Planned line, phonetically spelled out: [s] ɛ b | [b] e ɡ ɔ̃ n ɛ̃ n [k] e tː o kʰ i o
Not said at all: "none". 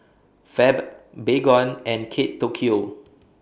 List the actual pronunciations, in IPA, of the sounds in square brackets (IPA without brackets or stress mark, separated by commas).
f, b, kʰ